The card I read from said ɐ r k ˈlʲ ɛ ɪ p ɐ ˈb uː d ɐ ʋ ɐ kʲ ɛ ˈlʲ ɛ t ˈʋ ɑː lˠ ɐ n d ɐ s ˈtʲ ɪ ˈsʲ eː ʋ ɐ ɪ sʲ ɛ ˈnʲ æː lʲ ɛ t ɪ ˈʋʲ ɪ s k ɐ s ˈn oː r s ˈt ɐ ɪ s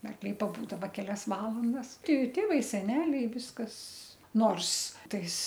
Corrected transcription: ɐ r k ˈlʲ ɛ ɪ p ɐ ˈb uː d ɐ ʋ ɐ kʲ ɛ ˈlʲ ɛ s ˈʋ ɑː lˠ ɐ n d ɐ s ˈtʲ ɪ ˈtʲ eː ʋ ɐ ɪ sʲ ɛ ˈnʲ æː lʲ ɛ ɪ ˈʋʲ ɪ s k ɐ s ˈn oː r s ˈt ɐ ɪ s